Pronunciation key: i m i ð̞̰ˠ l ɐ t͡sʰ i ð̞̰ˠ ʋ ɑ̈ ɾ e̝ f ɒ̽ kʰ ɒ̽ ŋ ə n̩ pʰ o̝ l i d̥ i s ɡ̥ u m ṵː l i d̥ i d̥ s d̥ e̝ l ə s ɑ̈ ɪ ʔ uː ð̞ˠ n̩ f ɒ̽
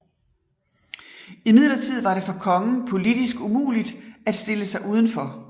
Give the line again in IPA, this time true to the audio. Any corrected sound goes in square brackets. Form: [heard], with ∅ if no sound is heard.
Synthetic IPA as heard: i m i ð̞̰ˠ l ɐ t͡sʰ i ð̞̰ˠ ʋ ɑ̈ ɾ e̝ f ɒ̽ kʰ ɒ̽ ŋ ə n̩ pʰ o̝ l i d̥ i s ɡ̥ u m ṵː l i d̥ [æ] d̥ s d̥ e̝ l ə s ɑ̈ ɪ ʔ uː ð̞ˠ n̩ f ɒ̽